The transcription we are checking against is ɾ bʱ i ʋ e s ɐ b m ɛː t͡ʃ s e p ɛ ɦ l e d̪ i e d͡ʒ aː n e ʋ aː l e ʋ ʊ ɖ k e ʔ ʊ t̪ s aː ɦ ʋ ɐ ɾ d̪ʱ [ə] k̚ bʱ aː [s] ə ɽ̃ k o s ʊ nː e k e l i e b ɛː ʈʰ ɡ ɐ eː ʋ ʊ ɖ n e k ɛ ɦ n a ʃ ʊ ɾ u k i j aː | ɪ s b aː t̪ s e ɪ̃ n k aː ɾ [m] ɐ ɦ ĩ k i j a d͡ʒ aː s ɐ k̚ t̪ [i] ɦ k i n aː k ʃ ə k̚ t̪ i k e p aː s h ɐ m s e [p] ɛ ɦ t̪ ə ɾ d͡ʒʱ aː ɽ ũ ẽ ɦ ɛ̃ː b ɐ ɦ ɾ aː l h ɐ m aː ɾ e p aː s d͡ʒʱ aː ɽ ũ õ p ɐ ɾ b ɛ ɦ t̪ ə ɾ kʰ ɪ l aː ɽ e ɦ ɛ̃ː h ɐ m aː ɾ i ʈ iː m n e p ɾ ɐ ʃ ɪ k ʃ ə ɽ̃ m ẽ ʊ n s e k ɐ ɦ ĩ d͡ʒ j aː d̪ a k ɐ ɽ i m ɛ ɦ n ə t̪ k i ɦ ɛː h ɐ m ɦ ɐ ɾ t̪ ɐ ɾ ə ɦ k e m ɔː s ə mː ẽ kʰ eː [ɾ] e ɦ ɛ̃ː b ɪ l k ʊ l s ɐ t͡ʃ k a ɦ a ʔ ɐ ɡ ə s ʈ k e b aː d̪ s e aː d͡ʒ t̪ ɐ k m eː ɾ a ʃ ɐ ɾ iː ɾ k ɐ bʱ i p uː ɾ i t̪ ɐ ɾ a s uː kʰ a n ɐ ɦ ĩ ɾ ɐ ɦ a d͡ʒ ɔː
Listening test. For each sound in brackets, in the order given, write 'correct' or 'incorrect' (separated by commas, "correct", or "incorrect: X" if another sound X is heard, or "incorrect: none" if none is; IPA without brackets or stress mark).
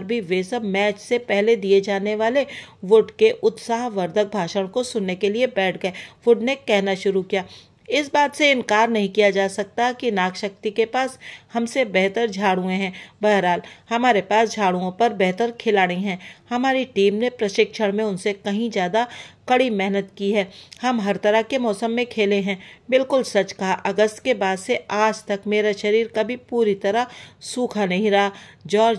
correct, incorrect: ʃ, incorrect: n, incorrect: a, incorrect: b, incorrect: l